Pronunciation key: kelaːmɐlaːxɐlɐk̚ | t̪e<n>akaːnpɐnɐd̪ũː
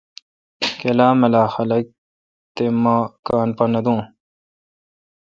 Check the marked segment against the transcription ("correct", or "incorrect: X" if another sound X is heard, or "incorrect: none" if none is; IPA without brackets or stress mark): incorrect: m